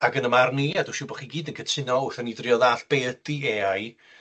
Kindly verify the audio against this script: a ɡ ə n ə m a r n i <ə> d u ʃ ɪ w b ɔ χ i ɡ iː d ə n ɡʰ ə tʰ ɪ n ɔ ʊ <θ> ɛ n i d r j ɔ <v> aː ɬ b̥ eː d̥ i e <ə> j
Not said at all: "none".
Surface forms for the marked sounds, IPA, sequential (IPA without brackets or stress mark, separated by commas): a, θ, ð, a